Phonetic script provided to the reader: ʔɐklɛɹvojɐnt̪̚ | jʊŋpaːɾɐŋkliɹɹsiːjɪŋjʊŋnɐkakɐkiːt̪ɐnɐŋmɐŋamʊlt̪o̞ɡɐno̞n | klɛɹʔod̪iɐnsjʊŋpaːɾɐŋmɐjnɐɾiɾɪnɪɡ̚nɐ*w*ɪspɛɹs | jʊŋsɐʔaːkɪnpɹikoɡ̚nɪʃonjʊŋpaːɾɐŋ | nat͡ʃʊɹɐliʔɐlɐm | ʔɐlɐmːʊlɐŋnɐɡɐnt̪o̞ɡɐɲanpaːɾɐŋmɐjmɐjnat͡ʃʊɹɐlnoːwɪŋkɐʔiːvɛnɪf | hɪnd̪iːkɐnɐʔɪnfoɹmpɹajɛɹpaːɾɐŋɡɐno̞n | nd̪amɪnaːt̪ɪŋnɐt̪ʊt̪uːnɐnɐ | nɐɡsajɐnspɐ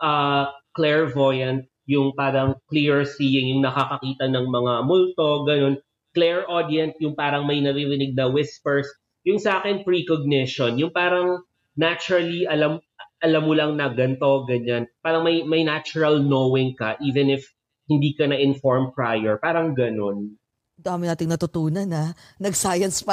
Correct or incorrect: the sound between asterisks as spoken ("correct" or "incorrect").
correct